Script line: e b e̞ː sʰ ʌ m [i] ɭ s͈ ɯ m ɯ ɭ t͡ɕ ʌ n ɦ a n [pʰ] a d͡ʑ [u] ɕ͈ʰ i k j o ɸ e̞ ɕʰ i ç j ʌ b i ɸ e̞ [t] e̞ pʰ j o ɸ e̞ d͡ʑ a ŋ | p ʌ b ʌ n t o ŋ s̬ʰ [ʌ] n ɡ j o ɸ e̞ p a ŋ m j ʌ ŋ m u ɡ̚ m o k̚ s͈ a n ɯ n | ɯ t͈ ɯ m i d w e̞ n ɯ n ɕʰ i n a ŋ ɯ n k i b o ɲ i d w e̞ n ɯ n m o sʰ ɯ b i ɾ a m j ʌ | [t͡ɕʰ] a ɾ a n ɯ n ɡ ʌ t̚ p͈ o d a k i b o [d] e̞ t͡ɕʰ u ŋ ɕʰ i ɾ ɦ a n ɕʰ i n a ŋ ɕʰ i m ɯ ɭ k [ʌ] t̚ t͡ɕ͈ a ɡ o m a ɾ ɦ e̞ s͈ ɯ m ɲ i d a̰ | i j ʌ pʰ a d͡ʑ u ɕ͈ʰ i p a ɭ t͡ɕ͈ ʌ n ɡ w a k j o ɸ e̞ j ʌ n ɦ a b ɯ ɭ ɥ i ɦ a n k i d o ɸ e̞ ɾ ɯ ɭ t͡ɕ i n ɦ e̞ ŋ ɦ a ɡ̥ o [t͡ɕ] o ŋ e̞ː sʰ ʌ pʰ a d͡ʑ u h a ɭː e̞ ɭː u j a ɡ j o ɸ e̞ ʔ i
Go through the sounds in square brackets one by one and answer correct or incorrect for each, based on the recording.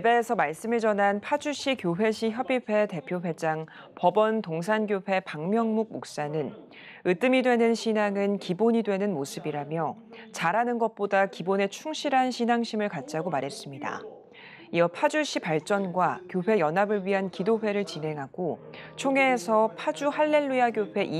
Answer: incorrect: a, correct, correct, correct, incorrect: a, incorrect: t͡ɕ, incorrect: n, incorrect: a, incorrect: t͡ɕʰ

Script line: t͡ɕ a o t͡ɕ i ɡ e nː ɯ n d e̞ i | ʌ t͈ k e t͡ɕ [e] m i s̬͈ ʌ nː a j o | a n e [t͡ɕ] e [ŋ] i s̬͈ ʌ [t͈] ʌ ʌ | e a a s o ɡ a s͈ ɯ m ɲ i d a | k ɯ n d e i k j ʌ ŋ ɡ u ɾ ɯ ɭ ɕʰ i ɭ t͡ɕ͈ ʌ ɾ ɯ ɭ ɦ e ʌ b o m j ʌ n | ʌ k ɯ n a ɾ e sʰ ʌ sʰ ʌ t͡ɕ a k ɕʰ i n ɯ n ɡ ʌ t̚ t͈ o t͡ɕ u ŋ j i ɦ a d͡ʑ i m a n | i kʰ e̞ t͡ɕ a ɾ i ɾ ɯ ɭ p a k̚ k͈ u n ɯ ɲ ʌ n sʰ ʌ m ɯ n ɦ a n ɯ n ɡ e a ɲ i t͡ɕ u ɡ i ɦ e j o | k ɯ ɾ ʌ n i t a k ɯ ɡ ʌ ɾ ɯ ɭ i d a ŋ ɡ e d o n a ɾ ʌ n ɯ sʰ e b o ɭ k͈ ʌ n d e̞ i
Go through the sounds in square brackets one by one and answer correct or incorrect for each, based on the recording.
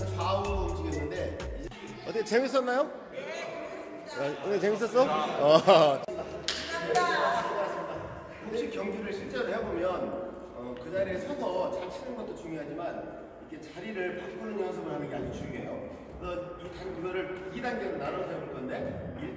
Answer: correct, correct, incorrect: m, incorrect: s͈

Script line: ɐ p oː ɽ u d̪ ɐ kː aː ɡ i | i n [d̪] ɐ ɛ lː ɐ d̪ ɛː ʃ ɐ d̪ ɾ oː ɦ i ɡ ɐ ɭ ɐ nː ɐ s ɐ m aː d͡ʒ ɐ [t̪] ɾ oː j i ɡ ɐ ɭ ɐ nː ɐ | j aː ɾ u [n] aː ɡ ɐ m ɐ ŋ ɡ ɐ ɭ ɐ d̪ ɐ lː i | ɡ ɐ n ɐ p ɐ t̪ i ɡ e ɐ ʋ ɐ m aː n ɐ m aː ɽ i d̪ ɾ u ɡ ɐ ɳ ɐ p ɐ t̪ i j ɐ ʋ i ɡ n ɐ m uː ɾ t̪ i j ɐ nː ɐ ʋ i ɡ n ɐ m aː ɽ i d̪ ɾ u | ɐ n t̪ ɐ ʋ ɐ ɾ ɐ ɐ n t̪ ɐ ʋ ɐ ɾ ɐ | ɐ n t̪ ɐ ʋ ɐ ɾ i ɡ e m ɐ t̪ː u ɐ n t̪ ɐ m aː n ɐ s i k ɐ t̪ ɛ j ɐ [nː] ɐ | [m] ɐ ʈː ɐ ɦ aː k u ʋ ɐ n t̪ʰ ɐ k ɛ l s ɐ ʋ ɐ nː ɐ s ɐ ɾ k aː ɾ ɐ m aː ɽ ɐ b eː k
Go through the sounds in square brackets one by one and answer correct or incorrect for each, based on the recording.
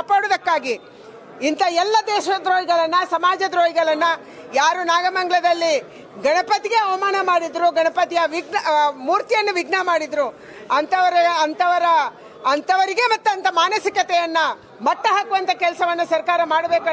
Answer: incorrect: t̪, incorrect: d̪, correct, correct, correct

